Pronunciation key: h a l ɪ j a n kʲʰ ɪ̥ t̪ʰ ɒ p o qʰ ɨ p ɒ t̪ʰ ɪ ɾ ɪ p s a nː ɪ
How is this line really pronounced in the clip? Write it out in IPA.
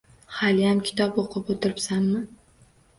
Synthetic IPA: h a l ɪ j a m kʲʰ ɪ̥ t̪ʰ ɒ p o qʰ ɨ p o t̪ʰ ɪ ɾ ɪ p s a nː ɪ